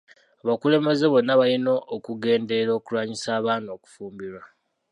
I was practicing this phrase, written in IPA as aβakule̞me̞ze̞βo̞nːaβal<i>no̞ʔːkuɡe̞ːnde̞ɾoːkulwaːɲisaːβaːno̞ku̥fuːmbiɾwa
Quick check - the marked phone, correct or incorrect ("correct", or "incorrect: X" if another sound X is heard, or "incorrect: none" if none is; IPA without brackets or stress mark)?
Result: correct